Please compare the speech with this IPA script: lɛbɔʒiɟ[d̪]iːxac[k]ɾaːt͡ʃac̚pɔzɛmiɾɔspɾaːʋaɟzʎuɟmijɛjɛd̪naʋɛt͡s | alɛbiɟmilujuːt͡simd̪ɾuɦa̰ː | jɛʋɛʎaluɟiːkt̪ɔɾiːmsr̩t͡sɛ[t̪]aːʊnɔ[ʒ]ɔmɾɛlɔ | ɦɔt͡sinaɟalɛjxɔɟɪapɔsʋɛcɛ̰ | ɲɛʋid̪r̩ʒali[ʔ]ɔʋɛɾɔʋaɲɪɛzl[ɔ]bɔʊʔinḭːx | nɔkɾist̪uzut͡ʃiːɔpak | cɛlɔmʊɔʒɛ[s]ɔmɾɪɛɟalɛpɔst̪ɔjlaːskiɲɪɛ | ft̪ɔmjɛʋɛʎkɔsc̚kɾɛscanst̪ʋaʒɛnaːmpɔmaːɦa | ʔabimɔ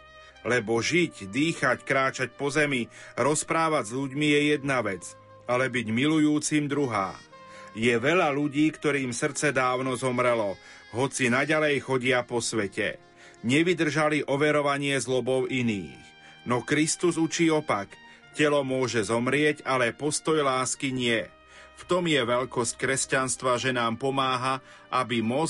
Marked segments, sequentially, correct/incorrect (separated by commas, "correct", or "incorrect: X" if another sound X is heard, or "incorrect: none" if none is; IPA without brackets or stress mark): correct, correct, incorrect: d̪, incorrect: z, correct, correct, incorrect: z